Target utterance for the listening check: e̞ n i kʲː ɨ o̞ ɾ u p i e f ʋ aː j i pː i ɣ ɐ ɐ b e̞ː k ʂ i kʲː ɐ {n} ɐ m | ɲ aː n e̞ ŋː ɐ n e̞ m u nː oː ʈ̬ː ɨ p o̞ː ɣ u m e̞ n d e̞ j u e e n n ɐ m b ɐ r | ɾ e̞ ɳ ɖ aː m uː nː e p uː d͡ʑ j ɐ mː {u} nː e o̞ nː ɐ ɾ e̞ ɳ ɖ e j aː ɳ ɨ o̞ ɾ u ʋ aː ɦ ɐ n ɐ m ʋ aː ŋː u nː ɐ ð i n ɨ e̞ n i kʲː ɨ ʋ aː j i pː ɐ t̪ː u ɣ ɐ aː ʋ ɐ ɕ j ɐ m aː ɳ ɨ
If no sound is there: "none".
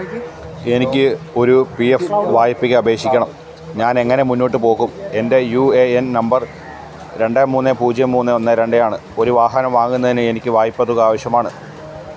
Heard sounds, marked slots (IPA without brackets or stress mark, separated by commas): ɳ, uː